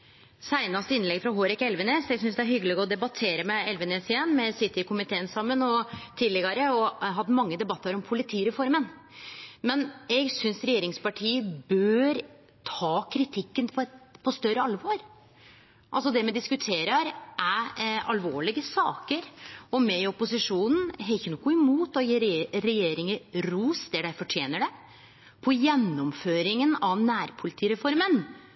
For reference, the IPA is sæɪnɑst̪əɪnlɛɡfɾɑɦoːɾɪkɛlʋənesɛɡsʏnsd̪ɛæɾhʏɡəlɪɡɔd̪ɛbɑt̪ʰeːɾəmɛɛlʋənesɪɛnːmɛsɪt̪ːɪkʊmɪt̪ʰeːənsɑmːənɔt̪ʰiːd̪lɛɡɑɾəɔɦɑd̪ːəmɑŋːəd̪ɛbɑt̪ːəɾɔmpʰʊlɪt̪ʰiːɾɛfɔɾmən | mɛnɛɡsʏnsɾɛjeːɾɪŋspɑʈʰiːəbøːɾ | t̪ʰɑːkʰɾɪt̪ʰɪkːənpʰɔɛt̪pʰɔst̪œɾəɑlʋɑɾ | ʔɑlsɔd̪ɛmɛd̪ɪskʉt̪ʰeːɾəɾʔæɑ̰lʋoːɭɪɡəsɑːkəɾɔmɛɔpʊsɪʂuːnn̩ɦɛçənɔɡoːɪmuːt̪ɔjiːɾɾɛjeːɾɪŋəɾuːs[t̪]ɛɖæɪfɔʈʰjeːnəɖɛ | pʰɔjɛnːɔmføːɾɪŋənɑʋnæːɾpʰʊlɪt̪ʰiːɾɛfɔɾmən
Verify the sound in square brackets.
incorrect: d̪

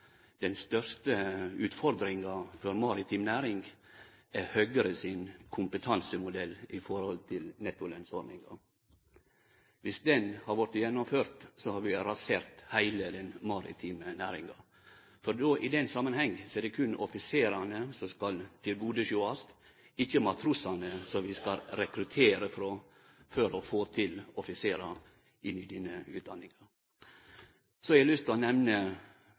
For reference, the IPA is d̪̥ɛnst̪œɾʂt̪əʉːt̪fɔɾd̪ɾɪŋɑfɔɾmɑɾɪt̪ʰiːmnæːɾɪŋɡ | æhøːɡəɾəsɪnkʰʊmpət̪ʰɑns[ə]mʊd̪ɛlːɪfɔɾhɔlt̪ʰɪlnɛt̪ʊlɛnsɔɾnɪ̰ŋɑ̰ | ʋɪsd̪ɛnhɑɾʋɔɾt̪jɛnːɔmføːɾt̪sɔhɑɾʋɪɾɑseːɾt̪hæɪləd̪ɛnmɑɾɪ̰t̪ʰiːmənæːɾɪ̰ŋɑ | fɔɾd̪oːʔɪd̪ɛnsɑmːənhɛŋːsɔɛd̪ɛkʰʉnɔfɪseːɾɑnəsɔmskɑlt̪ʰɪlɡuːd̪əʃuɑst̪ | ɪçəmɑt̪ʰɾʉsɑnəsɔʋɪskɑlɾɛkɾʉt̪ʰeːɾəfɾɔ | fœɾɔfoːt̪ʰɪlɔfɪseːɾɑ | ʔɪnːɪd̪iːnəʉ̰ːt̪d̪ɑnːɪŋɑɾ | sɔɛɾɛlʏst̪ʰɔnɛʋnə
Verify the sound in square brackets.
correct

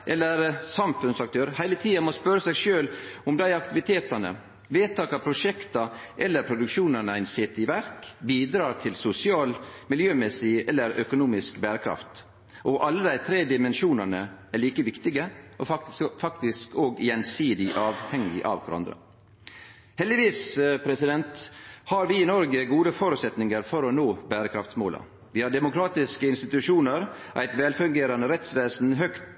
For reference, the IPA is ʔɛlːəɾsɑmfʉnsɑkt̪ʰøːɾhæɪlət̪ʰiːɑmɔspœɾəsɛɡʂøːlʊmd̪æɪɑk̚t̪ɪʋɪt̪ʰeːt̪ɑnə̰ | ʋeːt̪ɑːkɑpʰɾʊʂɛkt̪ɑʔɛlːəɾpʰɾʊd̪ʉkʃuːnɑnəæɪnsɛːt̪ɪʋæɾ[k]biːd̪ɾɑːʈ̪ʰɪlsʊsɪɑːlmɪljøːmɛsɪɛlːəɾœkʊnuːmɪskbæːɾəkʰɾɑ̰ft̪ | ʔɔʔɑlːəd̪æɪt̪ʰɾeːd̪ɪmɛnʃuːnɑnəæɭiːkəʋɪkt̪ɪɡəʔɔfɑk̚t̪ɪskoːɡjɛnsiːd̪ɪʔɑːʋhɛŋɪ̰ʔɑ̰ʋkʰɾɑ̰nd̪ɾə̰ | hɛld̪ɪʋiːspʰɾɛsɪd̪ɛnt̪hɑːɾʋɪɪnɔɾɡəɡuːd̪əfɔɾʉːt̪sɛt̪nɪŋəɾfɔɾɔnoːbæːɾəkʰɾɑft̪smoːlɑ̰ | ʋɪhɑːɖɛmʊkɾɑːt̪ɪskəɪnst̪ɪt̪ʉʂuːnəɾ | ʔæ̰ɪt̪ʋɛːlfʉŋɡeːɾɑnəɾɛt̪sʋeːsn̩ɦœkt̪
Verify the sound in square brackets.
correct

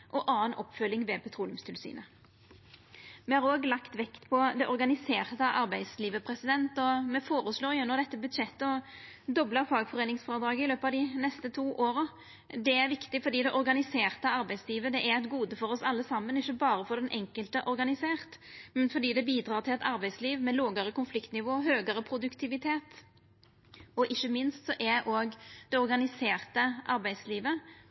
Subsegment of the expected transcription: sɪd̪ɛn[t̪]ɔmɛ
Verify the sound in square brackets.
correct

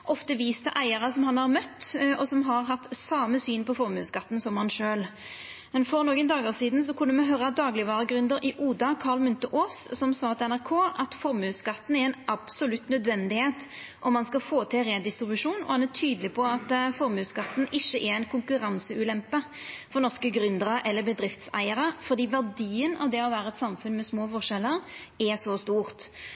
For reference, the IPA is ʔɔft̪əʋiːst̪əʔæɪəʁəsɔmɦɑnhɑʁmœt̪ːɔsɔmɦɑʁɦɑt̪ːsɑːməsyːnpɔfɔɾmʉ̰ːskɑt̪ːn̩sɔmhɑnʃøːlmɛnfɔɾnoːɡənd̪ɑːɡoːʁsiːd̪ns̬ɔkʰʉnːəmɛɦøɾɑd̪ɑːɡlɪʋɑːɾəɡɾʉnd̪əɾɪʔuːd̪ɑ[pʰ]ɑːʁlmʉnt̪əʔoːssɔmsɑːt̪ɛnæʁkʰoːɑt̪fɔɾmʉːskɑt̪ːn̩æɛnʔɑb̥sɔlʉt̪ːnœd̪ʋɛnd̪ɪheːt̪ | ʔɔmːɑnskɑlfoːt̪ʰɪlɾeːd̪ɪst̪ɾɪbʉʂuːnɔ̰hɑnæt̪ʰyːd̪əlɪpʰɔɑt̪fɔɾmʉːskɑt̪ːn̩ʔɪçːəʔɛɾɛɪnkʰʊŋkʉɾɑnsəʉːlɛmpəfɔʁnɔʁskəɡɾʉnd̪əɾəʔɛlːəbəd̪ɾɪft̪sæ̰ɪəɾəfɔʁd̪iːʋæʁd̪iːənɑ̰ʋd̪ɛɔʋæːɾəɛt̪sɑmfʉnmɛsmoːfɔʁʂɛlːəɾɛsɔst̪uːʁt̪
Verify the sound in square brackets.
incorrect: kʰ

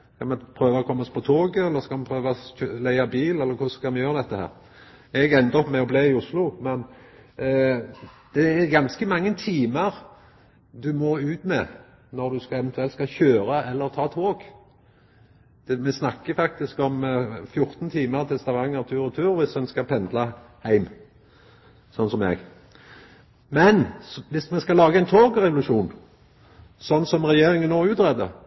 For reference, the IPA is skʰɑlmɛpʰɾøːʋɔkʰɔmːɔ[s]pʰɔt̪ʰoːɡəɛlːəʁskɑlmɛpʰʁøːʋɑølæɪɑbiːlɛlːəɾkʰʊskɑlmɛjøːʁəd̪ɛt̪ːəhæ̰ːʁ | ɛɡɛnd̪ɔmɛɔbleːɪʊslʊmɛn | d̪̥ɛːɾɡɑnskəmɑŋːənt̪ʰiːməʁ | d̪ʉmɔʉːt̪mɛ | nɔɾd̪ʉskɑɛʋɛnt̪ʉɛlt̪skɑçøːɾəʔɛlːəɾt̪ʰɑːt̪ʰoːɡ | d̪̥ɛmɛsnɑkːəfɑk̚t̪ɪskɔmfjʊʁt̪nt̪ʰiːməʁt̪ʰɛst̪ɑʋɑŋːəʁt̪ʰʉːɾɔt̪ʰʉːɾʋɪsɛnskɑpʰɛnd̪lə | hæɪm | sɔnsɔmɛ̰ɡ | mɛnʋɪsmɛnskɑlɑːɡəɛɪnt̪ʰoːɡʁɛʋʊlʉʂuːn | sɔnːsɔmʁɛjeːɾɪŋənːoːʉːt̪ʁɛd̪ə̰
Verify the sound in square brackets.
correct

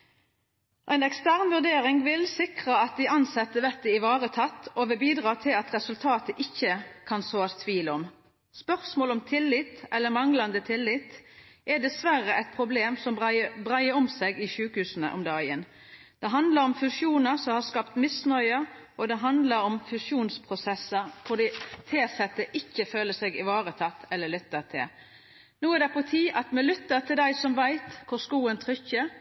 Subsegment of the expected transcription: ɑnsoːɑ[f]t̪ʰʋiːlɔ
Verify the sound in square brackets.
incorrect: s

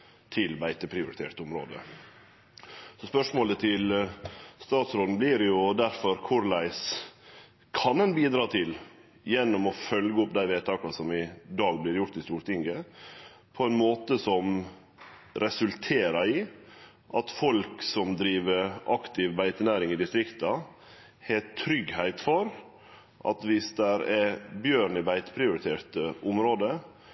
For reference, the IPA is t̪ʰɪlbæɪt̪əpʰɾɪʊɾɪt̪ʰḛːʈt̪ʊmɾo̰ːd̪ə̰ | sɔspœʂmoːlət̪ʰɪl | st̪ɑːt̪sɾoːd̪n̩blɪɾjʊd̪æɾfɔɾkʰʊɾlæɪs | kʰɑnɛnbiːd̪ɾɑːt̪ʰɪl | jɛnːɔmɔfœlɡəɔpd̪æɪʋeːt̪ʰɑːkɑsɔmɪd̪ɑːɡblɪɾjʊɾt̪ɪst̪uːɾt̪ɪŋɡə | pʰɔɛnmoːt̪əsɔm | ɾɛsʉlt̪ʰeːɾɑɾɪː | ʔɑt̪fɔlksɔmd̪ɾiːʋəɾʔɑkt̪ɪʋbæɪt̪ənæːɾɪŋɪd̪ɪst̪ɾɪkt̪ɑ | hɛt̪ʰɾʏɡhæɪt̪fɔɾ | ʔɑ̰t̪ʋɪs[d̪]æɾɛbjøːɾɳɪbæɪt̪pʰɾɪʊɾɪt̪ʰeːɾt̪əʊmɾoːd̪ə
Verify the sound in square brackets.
correct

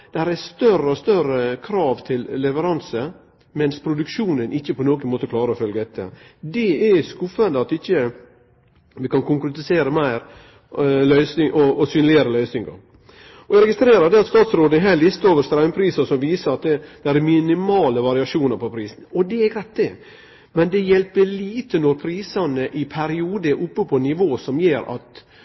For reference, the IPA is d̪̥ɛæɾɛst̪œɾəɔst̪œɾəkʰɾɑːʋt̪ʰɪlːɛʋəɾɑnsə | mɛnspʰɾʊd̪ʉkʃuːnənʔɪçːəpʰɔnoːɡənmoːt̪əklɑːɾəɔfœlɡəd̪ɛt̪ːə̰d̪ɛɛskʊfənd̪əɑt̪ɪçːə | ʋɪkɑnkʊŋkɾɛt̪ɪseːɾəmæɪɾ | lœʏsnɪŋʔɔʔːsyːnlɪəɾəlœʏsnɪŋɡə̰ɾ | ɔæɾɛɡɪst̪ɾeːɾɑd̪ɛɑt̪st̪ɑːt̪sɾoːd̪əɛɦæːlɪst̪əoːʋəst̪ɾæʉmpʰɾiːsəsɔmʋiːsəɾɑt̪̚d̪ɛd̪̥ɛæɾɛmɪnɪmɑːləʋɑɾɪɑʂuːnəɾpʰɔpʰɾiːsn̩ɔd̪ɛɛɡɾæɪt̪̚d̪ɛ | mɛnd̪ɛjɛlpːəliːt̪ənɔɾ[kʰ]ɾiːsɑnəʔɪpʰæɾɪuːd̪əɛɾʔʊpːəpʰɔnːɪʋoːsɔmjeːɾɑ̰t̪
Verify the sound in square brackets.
incorrect: pʰ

